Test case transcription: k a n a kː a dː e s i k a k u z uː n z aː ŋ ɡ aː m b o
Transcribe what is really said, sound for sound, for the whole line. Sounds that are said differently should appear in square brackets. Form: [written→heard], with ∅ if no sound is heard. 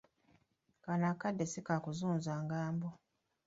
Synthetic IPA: k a n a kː a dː e s i k a k u z uː n z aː ŋ ɡ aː m b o